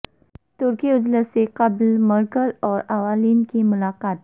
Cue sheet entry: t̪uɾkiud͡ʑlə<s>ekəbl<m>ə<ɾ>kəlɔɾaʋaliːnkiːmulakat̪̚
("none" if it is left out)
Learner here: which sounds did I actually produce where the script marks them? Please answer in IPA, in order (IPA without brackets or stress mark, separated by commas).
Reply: s, m, ɾ